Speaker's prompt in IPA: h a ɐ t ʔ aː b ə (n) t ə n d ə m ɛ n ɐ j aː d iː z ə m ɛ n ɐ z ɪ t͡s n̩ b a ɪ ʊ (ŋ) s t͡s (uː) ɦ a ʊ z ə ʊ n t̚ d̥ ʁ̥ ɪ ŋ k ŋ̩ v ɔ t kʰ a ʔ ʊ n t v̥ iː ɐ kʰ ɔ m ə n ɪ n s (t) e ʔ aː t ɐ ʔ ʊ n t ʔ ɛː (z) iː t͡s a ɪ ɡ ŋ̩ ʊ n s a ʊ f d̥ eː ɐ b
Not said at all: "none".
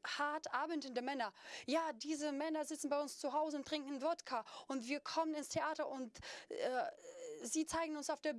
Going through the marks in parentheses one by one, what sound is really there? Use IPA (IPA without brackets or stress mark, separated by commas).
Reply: n, n, u, tʰ, z